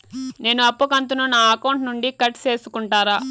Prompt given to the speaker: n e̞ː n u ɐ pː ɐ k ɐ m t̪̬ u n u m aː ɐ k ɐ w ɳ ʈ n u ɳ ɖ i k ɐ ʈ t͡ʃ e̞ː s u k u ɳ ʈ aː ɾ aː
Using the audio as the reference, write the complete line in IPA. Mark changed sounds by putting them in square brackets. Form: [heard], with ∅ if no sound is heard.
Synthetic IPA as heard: n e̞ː n u ɐ pː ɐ k ɐ [n] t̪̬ u n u [n] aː ɐ k ɐ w ɳ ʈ n u ɳ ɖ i k ɐ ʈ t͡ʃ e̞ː s u k u ɳ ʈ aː ɾ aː